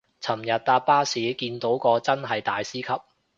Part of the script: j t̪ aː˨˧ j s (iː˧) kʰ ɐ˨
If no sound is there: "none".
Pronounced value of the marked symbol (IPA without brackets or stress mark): iː˥